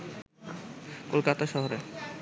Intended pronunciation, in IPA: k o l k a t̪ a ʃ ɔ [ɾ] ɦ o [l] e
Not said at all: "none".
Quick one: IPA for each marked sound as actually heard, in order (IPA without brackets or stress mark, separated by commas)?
none, ɾ